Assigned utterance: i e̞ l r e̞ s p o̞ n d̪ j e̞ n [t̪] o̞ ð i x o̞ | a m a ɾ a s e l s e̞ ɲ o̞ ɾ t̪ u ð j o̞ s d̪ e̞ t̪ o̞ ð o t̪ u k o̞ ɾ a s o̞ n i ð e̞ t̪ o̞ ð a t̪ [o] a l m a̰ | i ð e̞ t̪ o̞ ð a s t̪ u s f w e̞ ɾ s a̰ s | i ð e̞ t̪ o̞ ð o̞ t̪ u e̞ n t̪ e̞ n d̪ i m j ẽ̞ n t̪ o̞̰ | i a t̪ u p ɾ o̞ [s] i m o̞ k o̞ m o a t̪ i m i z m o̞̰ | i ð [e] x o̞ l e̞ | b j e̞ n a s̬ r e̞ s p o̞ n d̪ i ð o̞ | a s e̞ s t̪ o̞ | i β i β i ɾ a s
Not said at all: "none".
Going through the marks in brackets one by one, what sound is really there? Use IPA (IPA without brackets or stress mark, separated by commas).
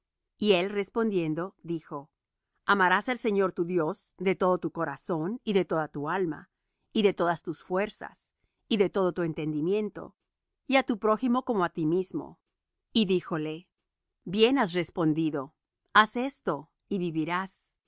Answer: d̪, u, x, i